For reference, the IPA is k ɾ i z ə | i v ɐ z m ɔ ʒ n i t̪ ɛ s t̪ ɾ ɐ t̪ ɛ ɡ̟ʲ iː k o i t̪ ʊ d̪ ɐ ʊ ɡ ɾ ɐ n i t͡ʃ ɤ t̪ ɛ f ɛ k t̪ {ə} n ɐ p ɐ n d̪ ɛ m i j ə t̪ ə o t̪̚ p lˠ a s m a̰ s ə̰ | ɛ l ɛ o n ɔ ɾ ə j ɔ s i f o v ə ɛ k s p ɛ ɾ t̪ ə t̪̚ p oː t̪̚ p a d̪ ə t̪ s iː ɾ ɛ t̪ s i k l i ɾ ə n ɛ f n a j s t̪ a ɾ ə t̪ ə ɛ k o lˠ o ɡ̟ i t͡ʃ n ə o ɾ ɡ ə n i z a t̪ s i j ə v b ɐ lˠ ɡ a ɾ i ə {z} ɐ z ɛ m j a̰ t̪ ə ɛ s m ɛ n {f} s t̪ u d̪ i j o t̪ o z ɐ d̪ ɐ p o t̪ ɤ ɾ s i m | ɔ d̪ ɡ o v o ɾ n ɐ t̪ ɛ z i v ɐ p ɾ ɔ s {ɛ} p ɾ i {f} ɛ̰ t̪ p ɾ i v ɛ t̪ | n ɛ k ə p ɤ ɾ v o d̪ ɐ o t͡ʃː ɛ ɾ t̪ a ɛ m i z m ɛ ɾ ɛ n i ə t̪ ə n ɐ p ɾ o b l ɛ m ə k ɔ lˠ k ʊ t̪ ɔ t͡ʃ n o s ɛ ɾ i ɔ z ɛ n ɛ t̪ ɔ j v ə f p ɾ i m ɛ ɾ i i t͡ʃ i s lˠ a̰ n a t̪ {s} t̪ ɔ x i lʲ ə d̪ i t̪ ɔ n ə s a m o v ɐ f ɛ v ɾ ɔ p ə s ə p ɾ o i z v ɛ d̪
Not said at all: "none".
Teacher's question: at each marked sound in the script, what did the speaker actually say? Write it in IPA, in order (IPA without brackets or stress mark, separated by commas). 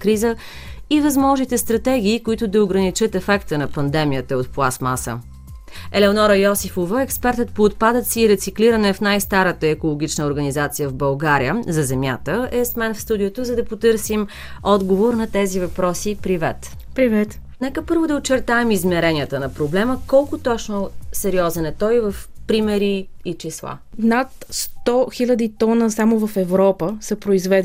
ə, z, f, i, v, s